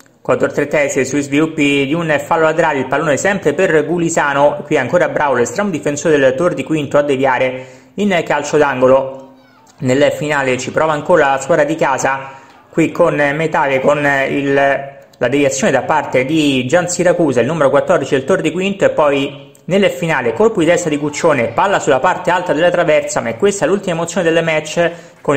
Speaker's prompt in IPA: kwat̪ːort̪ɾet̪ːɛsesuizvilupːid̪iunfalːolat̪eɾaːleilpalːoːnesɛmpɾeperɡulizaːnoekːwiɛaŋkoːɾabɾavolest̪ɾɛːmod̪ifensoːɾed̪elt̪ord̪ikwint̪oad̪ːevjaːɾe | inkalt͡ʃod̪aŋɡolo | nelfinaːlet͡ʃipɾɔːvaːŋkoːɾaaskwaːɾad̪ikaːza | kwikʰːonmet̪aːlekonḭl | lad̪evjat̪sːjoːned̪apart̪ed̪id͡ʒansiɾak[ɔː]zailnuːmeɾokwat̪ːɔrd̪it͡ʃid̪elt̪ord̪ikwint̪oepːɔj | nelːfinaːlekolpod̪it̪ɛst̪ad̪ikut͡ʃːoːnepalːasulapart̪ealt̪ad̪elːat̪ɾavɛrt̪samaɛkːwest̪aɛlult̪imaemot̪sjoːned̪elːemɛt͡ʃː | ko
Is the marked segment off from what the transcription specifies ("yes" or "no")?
yes